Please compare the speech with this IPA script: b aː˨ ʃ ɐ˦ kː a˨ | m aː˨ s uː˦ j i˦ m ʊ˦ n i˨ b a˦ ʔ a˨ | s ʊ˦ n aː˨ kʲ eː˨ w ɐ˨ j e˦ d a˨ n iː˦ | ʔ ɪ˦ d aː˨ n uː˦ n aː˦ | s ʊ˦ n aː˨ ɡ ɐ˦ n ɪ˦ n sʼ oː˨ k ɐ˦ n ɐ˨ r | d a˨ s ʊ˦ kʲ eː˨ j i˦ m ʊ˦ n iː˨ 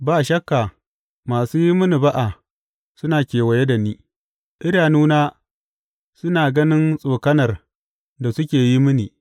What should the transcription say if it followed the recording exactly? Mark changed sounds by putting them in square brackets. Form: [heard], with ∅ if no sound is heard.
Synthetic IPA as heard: b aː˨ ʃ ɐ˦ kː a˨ | m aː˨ s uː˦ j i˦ m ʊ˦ n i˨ b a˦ ʔ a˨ | s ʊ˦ n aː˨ kʲ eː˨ w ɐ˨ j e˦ d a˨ n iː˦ | ʔ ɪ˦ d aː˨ n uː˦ n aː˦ | s ʊ˦ n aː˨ ɡ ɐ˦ n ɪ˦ n sʼ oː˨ k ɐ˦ n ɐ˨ r | d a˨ s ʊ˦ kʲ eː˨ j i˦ m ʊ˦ n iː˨